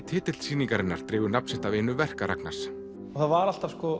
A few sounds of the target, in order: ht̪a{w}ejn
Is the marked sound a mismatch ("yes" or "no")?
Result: yes